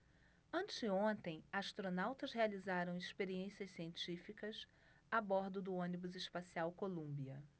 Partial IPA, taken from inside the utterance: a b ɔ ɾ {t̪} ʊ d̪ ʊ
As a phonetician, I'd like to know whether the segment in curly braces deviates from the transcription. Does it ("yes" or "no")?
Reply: yes